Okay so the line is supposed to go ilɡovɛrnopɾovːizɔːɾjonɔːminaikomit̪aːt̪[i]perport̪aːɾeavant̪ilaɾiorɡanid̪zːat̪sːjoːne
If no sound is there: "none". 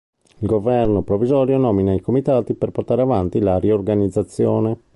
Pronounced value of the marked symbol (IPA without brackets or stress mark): i